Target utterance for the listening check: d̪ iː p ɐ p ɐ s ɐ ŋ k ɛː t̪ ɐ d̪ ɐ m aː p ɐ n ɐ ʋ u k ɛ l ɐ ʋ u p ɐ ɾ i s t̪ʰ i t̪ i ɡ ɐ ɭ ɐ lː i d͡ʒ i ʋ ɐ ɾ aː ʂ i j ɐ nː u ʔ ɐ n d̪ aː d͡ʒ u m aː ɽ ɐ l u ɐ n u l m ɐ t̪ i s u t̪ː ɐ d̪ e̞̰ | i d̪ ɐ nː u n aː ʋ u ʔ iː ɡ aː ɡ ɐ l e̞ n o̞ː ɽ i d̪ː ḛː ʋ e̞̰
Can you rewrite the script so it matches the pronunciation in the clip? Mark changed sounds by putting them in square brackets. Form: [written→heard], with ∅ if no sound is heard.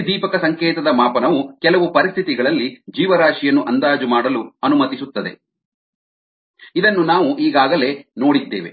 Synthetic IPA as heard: d̪ iː p ɐ [p→k] ɐ s ɐ ŋ k ɛː t̪ ɐ d̪ ɐ m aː p ɐ n ɐ ʋ u k ɛ l ɐ ʋ u p ɐ ɾ i s t̪ʰ i t̪ i ɡ ɐ ɭ ɐ lː i d͡ʒ [i→iː] ʋ ɐ ɾ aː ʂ i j ɐ nː u ʔ ɐ n d̪ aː d͡ʒ u m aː ɽ ɐ l u ɐ n u [l→∅] m ɐ t̪ i s u t̪ː ɐ d̪ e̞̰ | i d̪ ɐ nː u n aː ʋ u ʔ iː ɡ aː ɡ ɐ l e̞ n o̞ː ɽ i d̪ː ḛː ʋ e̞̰